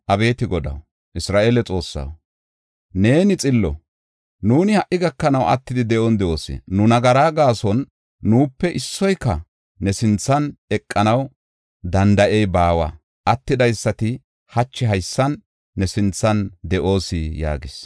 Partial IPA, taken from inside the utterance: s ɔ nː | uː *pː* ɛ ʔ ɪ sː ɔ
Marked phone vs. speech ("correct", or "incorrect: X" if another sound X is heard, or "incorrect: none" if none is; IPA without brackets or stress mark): correct